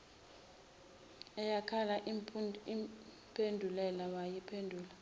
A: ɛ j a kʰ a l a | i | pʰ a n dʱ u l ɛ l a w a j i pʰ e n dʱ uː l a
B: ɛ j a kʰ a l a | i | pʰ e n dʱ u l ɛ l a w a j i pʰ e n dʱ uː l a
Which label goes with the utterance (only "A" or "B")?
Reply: B